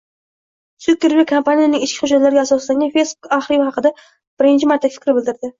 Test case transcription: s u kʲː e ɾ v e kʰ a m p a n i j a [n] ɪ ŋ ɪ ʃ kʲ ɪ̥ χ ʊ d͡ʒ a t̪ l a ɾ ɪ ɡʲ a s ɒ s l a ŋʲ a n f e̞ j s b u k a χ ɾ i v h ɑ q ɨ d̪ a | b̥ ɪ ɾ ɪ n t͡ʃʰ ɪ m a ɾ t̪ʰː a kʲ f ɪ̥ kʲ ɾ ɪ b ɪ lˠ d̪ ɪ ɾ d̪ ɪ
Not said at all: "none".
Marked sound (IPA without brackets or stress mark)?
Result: n